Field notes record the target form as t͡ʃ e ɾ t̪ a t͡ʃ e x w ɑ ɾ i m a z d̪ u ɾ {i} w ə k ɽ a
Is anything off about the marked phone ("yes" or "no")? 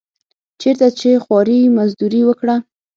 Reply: no